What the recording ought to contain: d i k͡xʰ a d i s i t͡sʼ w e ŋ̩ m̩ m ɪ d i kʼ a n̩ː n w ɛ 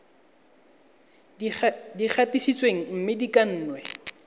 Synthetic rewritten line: d i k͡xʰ a t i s i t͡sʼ w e ŋ̩ m̩ m ɪ d i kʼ a n̩ː n w ɛ